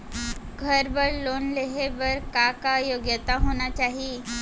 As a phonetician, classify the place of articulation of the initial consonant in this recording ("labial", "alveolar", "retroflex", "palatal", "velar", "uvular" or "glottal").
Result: velar